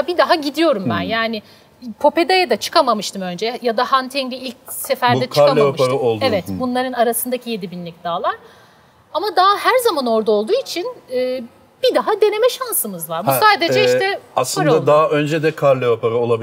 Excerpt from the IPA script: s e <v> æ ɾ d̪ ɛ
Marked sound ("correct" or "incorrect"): incorrect